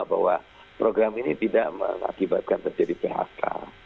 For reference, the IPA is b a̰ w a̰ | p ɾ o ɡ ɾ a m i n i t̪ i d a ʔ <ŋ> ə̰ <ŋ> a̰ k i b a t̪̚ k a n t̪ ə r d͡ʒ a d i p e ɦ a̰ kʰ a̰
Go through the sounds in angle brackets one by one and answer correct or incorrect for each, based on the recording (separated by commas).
incorrect, correct